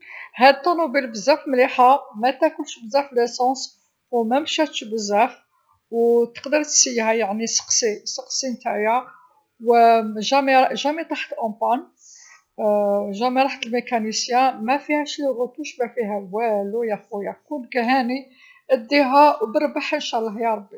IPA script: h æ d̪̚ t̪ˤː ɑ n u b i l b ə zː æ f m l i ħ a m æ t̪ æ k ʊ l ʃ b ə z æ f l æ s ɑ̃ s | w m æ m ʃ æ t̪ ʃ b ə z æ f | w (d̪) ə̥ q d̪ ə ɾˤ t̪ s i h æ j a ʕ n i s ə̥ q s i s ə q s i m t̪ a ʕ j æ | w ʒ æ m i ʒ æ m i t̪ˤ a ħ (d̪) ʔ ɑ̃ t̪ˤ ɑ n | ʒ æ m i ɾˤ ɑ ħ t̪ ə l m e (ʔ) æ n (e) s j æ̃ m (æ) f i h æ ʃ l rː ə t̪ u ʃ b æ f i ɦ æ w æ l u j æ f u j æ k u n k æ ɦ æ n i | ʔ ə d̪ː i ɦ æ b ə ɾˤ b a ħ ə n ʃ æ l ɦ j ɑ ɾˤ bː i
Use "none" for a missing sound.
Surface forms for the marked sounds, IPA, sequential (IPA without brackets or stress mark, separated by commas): t̪, t̪, k, i, æ